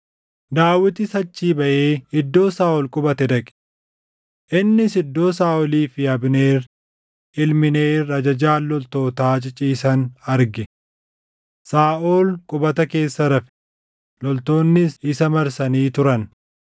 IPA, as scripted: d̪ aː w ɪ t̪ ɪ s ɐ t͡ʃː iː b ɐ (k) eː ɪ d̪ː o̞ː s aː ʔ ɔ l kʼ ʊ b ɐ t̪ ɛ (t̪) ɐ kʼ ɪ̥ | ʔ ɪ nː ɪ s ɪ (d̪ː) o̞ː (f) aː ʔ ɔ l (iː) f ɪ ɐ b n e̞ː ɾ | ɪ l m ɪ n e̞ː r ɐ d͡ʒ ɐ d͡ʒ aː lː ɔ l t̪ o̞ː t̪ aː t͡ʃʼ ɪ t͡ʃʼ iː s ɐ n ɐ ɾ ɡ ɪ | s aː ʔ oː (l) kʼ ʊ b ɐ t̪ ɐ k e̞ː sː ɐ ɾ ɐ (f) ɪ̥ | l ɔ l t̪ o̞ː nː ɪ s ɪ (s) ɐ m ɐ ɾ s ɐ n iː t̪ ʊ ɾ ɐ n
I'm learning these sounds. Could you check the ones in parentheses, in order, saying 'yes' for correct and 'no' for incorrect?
no, no, yes, no, yes, yes, yes, yes

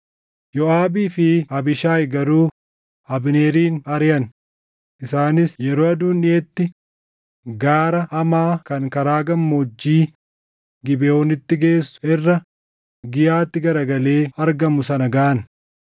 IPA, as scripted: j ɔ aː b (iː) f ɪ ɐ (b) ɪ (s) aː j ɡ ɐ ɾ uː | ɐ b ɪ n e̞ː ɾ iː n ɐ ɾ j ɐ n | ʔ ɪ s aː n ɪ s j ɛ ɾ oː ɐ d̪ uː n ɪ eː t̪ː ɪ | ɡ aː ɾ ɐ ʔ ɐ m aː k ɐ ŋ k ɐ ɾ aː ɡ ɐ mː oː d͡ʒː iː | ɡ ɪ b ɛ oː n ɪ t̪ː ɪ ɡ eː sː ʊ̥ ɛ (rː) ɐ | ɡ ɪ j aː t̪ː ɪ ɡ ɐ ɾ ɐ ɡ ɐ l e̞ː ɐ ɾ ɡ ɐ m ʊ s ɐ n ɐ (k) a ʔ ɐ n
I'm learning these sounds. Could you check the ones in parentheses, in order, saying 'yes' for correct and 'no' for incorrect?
yes, yes, no, yes, no

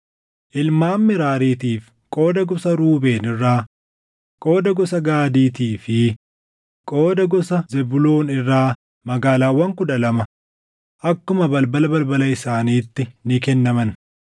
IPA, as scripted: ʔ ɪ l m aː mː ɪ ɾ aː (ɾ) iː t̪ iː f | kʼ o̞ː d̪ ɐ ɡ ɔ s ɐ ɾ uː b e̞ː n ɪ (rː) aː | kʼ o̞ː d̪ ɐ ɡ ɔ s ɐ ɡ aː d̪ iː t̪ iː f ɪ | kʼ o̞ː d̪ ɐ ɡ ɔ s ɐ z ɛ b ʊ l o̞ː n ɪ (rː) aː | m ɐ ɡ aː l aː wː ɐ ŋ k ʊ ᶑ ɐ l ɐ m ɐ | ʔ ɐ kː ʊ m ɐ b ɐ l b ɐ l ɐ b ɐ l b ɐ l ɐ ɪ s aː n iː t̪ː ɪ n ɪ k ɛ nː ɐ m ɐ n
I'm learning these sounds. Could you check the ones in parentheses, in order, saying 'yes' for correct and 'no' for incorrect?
yes, yes, yes

